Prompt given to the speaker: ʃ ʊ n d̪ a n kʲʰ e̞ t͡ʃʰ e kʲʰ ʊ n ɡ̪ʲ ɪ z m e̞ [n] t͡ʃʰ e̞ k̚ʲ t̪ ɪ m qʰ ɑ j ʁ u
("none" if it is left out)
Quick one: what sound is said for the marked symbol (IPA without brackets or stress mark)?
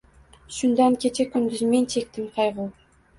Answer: n